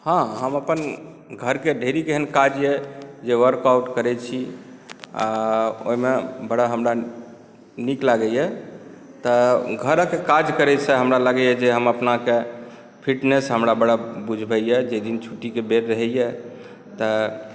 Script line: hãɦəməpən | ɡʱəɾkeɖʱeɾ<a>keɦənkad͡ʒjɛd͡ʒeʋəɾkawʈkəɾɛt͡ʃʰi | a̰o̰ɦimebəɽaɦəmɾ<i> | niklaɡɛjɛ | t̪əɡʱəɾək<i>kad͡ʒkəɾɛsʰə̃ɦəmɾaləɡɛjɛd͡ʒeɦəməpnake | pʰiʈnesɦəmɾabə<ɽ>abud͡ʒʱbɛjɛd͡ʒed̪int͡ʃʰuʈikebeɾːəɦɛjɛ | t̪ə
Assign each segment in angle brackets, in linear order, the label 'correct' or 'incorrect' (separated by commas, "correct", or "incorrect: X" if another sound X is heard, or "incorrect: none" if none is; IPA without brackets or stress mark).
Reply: incorrect: i, incorrect: a, incorrect: e, correct